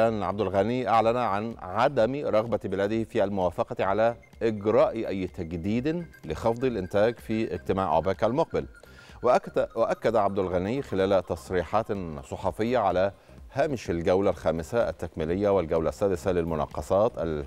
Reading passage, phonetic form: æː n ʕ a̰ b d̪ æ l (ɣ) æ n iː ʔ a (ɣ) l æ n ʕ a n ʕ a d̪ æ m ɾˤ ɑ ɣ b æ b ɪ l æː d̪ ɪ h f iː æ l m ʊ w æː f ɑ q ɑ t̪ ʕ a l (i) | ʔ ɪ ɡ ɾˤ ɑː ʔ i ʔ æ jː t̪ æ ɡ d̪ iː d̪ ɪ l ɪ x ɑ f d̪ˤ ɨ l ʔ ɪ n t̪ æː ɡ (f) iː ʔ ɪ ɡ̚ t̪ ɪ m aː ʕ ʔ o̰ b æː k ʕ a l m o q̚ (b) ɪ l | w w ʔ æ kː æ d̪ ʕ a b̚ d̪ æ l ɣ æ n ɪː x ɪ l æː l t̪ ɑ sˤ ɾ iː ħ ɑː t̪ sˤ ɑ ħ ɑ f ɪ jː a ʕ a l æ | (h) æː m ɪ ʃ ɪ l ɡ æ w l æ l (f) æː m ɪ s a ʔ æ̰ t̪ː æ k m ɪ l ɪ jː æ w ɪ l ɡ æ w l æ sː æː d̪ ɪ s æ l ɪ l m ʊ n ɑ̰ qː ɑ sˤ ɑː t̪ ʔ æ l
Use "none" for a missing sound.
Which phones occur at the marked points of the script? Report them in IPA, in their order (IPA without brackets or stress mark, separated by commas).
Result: ɣ, ʕ, æ, f, b, h, x